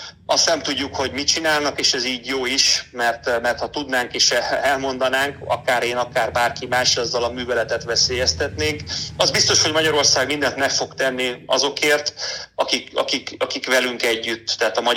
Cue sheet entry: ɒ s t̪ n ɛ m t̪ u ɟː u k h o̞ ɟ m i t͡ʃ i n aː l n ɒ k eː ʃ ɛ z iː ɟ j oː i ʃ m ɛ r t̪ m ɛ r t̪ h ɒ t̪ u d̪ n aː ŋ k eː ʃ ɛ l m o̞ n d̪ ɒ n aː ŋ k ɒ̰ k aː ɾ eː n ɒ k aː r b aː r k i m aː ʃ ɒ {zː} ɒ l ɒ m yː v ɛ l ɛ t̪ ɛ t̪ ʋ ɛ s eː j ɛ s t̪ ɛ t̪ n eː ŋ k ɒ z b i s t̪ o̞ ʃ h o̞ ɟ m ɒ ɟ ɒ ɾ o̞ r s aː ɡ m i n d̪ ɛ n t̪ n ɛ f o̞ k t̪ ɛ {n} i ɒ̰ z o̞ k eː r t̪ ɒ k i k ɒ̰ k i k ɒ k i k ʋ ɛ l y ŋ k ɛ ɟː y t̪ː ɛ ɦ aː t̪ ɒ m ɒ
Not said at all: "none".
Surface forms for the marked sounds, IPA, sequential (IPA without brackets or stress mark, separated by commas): zː, nː